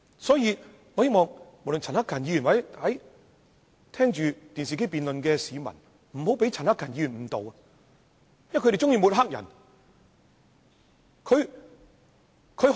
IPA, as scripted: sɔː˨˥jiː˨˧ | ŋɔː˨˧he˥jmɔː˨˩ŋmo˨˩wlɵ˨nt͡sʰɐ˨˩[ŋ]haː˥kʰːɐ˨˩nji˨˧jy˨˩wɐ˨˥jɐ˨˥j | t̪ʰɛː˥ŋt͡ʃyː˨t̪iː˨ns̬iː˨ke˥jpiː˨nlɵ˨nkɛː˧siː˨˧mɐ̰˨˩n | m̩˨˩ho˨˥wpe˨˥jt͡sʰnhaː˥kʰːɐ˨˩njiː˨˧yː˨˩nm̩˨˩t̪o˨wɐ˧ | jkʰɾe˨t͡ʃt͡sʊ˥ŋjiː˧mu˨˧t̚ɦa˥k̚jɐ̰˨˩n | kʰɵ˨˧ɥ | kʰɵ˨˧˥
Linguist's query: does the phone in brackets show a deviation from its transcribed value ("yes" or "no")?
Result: yes